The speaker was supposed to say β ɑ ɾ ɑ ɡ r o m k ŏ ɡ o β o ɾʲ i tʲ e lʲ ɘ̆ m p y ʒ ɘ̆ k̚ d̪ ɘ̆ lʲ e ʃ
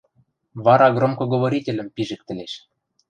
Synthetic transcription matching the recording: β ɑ ɾ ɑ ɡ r o m k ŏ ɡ o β o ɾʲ i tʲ e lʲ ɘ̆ m p i ʒ ɘ̆ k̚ t̪ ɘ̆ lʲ e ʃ